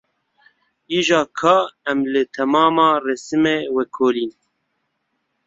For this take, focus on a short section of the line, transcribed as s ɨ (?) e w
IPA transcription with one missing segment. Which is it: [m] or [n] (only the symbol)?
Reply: m